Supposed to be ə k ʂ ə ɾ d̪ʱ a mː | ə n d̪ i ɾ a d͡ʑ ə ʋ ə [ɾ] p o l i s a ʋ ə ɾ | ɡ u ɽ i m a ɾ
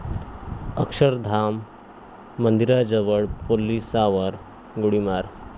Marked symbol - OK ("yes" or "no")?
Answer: no